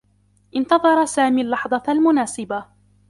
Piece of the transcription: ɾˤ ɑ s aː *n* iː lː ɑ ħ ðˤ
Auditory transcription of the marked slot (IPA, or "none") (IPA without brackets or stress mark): m